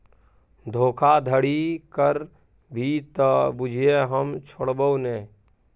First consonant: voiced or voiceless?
voiced